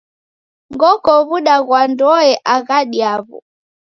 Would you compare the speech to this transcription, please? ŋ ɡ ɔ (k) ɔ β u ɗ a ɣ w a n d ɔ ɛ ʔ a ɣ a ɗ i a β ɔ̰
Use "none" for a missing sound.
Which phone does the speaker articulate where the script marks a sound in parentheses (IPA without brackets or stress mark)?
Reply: k